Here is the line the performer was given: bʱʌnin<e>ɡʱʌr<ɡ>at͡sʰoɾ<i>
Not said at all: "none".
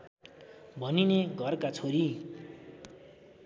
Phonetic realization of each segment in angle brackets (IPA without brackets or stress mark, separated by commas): e, k, i